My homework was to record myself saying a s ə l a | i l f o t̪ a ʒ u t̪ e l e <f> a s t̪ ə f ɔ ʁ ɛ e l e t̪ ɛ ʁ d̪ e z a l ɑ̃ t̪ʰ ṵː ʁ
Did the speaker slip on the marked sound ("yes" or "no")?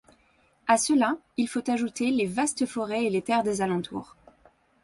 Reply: yes